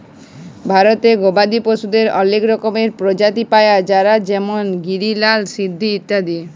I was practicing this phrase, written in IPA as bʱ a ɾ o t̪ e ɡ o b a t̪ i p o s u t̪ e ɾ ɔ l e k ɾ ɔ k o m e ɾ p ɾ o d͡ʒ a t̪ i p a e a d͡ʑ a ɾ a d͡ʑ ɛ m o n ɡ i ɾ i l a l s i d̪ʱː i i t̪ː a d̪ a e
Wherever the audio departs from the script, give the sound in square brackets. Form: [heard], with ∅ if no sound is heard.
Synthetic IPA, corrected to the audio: bʱ a ɾ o t̪ e ɡ o b a [d̪] i p o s u [d̪] e ɾ ɔ l e k ɾ ɔ k o m e ɾ p ɾ o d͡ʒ a t̪ i p a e a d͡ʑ a ɾ a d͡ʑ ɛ m o n ɡ i ɾ i l a l s i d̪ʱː i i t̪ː a d̪ [i] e